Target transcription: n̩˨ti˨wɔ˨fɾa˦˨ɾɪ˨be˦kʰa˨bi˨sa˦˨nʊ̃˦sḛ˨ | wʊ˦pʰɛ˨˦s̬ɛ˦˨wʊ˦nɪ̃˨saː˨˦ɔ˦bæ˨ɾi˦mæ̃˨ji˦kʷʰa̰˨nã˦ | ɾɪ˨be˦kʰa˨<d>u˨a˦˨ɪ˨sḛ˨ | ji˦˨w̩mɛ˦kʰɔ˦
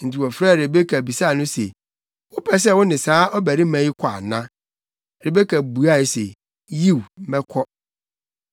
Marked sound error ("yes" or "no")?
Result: yes